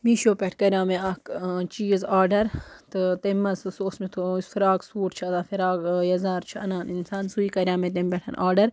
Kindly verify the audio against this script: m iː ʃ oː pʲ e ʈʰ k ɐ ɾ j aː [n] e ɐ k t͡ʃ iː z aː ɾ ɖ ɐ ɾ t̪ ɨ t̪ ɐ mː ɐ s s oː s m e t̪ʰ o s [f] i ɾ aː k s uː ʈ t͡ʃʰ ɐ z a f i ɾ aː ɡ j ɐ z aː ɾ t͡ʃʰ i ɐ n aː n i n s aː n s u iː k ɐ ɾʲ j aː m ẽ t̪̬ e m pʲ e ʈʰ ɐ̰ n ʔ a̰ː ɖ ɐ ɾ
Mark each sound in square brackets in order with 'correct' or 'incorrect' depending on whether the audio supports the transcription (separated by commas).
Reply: incorrect, correct